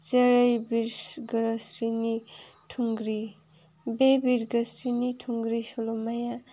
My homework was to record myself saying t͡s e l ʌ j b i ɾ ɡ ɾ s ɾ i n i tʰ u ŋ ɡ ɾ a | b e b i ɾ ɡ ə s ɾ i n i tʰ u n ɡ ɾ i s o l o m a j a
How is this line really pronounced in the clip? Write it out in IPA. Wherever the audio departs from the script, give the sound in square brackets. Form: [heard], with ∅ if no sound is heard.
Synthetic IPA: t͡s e [ɾ] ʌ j b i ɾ ɡ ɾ s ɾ i n i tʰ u ŋ ɡ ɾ [i] | b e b i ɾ ɡ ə s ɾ i n i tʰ u [ŋ] ɡ ɾ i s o l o m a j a